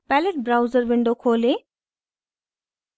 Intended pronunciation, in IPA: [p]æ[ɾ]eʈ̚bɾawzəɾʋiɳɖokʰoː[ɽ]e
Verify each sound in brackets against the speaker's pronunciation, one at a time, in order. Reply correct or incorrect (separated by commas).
correct, incorrect, incorrect